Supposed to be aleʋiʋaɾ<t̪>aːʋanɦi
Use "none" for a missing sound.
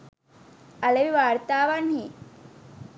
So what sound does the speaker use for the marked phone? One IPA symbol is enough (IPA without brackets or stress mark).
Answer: t̪